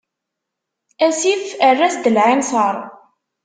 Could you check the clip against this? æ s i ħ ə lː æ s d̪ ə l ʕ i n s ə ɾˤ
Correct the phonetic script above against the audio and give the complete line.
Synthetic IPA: æ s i f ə rː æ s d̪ ə l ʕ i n s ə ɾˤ